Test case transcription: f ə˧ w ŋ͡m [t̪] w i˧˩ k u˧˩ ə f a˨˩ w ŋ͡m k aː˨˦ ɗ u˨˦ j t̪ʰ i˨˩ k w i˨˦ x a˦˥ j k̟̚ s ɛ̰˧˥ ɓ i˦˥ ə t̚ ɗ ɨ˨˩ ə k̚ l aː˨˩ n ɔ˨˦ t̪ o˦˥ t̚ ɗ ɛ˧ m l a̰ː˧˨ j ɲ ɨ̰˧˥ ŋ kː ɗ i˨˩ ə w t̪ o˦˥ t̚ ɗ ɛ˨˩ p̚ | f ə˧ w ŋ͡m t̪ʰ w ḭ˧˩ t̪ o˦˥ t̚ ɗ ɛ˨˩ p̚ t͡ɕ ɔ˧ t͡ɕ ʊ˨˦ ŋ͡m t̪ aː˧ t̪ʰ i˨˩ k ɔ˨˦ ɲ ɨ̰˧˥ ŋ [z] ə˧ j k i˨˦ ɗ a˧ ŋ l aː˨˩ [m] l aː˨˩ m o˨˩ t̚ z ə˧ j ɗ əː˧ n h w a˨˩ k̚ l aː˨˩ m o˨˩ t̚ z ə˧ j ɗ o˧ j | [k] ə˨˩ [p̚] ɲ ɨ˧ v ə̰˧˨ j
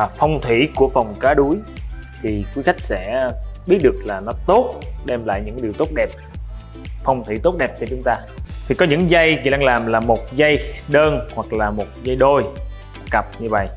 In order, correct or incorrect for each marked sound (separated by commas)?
incorrect, correct, correct, correct, correct